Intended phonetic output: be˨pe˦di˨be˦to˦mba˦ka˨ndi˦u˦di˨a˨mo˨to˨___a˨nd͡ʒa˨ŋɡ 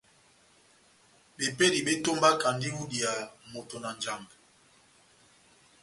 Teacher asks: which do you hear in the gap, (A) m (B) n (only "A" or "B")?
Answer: B